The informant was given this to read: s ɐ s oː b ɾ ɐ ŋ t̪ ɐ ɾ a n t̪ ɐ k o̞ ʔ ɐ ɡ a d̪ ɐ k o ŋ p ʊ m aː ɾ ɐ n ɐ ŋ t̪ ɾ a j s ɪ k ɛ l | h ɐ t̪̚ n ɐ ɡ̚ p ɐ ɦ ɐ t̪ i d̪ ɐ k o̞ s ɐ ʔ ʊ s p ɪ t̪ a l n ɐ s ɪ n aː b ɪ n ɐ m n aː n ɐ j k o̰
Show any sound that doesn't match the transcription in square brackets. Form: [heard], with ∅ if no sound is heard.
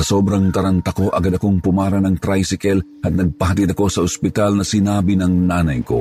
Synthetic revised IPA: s ɐ s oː b ɾ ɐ ŋ t̪ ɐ ɾ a n t̪ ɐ k o̞ ʔ ɐ ɡ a d̪ ɐ k o ŋ p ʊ m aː ɾ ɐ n ɐ ŋ t̪ ɾ a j s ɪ k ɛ l | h ɐ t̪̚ n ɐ ɡ̚ p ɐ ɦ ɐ t̪ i d̪ ɐ k o̞ s ɐ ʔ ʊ s p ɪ t̪ a l n ɐ s ɪ n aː b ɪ n ɐ [ŋ] n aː n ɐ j k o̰